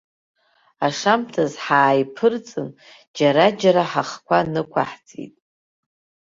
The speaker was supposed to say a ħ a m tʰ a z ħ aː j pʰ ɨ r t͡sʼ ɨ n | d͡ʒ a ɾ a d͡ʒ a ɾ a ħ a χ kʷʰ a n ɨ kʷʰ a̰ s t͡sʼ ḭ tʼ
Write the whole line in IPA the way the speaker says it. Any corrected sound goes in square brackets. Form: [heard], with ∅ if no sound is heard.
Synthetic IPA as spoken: a [ʂ] a m tʰ a z ħ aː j pʰ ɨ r t͡sʼ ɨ n | d͡ʒ a ɾ a d͡ʒ a ɾ a ħ a χ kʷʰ a n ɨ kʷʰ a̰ [ħ] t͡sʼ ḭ tʼ